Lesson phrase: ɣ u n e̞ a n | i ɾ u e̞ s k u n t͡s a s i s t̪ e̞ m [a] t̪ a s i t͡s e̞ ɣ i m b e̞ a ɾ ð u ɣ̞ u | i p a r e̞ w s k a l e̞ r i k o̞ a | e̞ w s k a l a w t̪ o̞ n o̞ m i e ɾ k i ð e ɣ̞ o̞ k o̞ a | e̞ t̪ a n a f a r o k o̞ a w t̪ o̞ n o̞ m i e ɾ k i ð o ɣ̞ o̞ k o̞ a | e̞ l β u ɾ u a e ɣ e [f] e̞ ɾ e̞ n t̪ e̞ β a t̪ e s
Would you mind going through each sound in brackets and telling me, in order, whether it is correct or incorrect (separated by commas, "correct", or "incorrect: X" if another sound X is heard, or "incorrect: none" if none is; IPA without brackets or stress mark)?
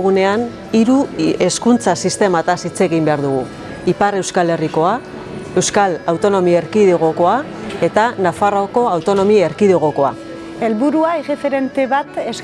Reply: correct, correct